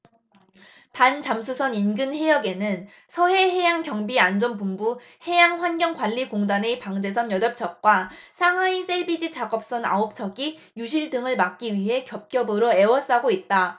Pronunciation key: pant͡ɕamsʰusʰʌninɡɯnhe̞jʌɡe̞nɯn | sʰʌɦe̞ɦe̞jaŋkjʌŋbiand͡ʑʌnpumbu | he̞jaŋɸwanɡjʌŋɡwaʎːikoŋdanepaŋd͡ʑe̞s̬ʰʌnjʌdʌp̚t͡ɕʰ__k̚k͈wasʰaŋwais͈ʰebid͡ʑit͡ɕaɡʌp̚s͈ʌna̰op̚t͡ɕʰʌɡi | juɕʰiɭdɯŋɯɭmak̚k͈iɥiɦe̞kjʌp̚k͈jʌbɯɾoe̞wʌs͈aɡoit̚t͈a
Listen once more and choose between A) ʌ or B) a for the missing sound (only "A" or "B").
A